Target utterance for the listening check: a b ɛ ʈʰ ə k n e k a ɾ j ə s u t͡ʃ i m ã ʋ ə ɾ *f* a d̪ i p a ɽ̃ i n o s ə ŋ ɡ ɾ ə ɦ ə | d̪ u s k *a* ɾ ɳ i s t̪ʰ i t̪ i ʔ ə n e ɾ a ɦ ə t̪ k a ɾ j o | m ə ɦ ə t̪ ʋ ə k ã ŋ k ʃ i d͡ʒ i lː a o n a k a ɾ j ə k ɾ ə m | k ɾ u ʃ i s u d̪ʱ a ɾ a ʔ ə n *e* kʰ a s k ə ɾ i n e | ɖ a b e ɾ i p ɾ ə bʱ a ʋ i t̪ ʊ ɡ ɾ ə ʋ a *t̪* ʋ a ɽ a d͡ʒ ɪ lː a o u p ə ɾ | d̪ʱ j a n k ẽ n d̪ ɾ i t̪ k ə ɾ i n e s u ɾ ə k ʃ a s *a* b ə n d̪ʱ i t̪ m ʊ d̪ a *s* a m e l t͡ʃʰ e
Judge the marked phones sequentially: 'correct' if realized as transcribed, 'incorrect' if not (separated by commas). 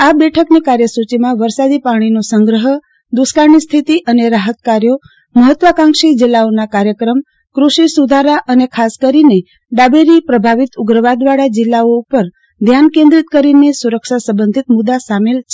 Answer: incorrect, correct, correct, incorrect, incorrect, correct